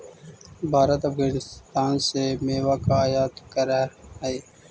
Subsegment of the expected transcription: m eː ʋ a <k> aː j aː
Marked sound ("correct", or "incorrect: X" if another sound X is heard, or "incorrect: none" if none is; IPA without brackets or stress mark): correct